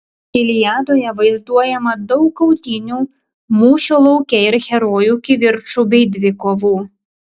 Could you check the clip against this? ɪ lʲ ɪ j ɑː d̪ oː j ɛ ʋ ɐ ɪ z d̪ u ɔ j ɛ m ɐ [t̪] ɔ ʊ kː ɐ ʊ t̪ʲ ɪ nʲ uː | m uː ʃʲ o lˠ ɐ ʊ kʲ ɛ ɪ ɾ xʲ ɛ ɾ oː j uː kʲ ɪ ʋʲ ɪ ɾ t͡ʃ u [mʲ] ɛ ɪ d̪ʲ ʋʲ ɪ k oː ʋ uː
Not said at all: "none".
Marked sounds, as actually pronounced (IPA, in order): d̪, bʲ

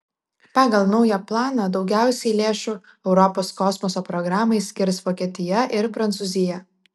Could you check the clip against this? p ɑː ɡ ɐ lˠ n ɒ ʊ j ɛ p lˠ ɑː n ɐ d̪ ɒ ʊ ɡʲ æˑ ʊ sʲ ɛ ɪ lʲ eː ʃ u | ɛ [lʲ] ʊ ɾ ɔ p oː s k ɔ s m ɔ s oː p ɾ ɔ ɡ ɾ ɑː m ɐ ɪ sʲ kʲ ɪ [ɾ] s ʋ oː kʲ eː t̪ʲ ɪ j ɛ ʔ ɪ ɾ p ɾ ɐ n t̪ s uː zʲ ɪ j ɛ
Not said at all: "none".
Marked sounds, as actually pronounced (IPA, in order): none, ɾ

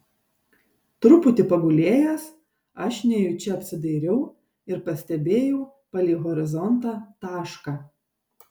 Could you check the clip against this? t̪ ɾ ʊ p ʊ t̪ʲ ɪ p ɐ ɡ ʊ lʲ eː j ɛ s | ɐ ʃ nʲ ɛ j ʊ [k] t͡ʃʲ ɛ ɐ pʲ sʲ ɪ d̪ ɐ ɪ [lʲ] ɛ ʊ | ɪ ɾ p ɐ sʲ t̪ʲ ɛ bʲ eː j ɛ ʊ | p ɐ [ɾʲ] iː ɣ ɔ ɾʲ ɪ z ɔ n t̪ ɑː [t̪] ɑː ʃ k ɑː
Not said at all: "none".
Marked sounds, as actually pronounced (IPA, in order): none, ɾʲ, lʲ, t̪

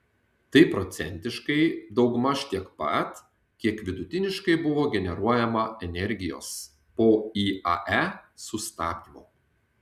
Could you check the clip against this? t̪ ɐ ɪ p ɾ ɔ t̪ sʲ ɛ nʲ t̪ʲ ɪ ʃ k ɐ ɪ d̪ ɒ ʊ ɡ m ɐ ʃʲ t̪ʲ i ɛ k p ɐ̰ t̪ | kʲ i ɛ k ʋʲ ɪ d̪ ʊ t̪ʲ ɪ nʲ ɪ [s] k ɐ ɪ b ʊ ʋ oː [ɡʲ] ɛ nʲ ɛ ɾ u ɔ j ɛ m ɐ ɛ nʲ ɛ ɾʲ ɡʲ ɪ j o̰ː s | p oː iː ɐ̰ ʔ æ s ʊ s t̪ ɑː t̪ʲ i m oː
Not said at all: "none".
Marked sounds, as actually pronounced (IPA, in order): ʃ, ɡʲ

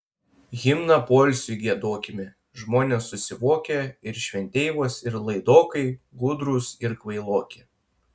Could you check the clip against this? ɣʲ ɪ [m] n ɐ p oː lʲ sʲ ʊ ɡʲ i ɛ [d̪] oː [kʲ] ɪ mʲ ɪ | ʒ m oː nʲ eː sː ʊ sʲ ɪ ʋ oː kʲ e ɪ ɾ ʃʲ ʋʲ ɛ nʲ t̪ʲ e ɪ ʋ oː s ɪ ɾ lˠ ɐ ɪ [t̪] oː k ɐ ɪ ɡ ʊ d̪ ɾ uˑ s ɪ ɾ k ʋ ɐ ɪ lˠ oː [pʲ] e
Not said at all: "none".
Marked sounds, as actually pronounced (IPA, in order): m, d̪, kʲ, d̪, kʲ

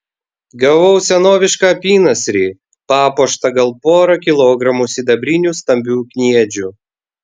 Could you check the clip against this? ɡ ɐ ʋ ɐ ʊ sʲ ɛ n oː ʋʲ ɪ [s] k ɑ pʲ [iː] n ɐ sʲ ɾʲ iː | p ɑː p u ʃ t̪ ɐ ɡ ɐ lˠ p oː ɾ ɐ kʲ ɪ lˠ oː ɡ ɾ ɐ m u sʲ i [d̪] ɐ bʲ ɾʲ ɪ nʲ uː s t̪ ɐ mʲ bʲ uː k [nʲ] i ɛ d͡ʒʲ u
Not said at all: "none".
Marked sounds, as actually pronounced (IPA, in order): ʃ, iː, d̪, nʲ

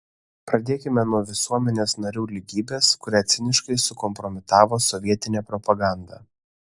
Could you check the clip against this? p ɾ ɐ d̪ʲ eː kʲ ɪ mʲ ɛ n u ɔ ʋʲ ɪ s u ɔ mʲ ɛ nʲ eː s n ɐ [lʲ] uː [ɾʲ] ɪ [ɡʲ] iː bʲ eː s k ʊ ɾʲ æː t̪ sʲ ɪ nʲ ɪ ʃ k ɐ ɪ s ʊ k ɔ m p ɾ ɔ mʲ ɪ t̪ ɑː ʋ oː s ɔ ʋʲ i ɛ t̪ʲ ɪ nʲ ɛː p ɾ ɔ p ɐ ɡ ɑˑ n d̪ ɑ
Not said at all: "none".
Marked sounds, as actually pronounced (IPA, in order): ɾʲ, lʲ, ɡʲ

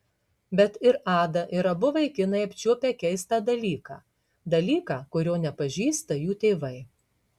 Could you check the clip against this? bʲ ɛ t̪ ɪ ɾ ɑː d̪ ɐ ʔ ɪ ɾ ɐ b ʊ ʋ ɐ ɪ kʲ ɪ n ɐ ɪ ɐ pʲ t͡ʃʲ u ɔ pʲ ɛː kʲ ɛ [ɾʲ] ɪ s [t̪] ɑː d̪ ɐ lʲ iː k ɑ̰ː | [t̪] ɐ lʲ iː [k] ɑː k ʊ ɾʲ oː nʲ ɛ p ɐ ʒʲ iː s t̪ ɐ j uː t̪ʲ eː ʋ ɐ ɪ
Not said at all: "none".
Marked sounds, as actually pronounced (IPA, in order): none, t̪, d̪, k

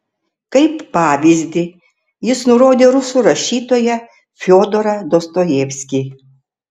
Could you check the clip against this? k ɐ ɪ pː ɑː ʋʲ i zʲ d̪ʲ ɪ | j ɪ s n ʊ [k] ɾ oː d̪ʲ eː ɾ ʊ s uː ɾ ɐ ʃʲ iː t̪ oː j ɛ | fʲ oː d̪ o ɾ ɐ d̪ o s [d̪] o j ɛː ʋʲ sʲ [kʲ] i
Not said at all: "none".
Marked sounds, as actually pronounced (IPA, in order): none, t̪, kʲ

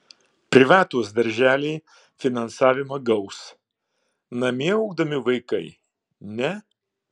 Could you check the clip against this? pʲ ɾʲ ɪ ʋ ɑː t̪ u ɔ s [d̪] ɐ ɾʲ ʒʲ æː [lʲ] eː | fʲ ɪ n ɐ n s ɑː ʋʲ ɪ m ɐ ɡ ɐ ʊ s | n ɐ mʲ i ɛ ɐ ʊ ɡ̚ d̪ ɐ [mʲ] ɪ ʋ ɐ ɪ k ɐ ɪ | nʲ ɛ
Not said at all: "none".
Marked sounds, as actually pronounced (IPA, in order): d̪, lʲ, mʲ

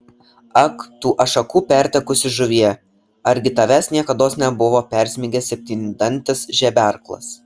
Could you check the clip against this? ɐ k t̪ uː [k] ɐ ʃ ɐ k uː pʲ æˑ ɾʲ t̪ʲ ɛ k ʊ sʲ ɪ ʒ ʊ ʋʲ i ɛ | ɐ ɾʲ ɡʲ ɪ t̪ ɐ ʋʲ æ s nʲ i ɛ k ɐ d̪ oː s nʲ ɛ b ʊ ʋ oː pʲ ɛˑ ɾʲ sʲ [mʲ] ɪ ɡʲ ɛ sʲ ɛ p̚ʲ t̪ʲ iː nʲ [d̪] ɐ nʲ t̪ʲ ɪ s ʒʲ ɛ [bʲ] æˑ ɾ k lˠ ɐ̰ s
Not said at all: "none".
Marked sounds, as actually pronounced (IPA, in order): ʔ, mʲ, d̪, bʲ

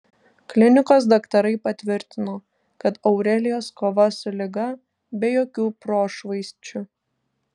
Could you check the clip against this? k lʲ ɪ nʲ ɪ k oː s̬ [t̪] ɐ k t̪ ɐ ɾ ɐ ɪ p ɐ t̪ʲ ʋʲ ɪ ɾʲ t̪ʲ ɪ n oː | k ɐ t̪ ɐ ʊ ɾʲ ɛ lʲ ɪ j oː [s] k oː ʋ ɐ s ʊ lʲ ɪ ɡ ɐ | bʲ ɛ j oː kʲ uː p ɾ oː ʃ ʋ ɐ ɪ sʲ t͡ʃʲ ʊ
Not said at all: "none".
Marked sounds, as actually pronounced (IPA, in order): d̪, s

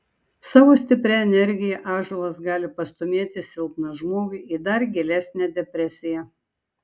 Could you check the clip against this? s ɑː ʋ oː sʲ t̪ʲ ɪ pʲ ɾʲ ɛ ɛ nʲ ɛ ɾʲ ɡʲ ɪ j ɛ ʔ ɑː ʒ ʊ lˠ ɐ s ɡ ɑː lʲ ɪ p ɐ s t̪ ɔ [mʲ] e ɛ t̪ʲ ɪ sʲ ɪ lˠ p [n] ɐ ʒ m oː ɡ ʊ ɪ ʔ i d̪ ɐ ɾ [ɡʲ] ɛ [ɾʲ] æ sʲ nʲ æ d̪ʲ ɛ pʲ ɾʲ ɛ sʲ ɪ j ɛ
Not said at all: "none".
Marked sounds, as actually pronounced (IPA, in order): mʲ, n, ɡʲ, lʲ

